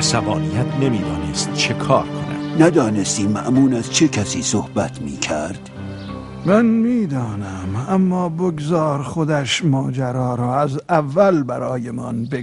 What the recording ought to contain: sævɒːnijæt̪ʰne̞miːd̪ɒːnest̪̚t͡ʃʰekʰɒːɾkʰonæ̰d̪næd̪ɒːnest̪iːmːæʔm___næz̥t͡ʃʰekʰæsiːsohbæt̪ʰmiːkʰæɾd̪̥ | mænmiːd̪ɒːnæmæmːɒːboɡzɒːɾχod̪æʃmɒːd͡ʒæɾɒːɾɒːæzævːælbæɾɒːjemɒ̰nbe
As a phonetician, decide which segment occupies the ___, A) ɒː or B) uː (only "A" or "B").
B